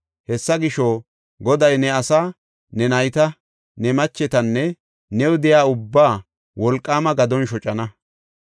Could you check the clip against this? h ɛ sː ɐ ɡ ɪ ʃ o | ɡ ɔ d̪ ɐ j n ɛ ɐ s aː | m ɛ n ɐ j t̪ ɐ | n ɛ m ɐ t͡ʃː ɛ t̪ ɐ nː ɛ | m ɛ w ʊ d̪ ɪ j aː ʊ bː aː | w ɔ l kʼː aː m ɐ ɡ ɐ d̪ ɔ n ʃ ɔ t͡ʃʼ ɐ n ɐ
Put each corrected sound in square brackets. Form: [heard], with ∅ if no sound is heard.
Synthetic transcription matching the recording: h ɛ sː ɐ ɡ ɪ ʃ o | ɡ ɔ d̪ ɐ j n ɛ ɐ s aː | [n] ɛ n ɐ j t̪ ɐ | n ɛ m ɐ t͡ʃː ɛ t̪ ɐ nː ɛ | [n] ɛ w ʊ d̪ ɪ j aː ʊ bː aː | w ɔ l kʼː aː m ɐ ɡ ɐ d̪ ɔ n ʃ ɔ t͡ʃʼ ɐ n ɐ